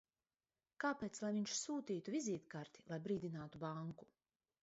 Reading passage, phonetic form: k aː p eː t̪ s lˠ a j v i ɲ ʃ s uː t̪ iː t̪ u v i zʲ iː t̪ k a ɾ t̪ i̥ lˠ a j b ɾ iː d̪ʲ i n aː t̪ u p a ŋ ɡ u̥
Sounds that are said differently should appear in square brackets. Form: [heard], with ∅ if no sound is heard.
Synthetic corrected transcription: k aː p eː t̪ s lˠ a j v i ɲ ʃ s uː t̪ iː t̪ u v i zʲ iː t̪ k a ɾ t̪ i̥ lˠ a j b ɾ iː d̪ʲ i n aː t̪ u [b] a ŋ [k] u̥